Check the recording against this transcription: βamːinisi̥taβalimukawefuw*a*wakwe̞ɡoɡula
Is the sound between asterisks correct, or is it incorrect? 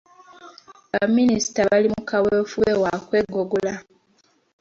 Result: incorrect: e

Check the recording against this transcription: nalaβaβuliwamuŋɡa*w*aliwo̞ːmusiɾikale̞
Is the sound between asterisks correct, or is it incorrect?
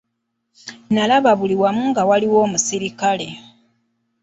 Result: correct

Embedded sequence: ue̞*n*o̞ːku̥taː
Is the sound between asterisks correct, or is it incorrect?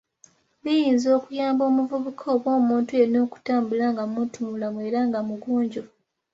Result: correct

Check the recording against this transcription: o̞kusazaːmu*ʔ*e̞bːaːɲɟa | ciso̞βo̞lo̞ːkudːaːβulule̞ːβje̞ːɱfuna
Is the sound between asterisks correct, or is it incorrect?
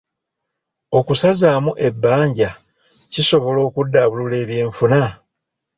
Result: correct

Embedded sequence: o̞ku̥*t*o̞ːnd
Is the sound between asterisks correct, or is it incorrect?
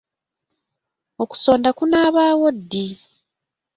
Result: incorrect: s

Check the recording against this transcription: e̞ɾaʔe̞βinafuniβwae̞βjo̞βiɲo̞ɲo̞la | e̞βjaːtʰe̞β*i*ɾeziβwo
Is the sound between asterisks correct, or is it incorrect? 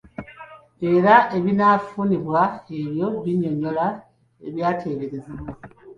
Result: incorrect: e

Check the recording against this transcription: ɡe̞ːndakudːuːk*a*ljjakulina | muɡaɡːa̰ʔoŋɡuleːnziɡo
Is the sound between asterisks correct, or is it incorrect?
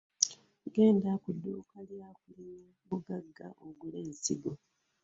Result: correct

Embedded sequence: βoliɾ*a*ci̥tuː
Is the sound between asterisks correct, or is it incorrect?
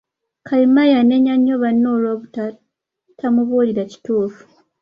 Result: correct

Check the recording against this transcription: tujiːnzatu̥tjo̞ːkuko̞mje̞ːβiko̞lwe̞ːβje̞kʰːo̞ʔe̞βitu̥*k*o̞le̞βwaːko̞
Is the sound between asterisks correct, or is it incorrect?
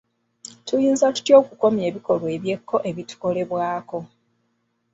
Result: correct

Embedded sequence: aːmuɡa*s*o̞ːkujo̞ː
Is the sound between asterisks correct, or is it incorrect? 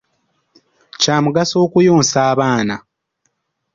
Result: correct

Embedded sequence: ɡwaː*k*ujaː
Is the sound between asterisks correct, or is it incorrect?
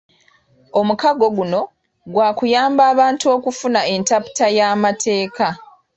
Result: correct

